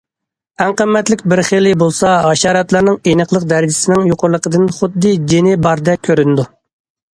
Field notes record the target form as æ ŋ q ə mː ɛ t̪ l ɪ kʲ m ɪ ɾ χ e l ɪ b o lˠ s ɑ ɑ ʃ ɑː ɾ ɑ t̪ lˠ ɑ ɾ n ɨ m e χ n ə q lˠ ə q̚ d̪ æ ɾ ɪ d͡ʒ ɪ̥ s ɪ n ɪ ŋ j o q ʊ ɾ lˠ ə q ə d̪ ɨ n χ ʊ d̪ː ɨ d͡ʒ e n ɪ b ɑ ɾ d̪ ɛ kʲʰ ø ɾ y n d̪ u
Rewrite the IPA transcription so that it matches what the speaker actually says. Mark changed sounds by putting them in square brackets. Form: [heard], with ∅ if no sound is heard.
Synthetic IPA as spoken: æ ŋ q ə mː ɛ t̪ l ɪ kʲ [b] ɪ ɾ χ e l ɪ b o lˠ s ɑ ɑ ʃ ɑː ɾ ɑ t̪ lˠ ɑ ɾ n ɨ [ŋ] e [∅] n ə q lˠ ə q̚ d̪ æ ɾ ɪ d͡ʒ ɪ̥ s ɪ n ɪ ŋ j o q ʊ ɾ lˠ ə q ə d̪ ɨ n χ ʊ d̪ː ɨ d͡ʒ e n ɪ b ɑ ɾ d̪ ɛ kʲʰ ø ɾ y n d̪ u